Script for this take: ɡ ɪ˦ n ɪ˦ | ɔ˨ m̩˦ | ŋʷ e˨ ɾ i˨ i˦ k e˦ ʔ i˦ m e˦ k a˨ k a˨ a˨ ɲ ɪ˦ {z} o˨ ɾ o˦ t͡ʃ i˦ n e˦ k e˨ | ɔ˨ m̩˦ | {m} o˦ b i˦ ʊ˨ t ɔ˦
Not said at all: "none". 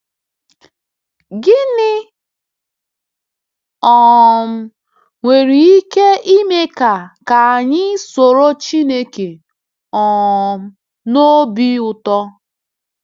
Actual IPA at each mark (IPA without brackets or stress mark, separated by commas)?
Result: s, n